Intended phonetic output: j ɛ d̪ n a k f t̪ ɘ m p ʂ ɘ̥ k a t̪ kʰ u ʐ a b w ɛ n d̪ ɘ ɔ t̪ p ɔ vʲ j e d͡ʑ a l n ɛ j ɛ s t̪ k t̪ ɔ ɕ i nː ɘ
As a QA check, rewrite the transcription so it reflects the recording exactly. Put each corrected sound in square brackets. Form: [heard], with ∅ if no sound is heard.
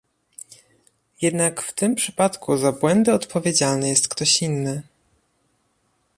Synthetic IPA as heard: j ɛ d̪ n a k f t̪ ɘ m p ʂ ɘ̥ [p] a t̪ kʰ u [z] a b w ɛ n d̪ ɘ ɔ t̪ p ɔ vʲ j e d͡ʑ a l n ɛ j ɛ s t̪ k t̪ ɔ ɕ i nː ɘ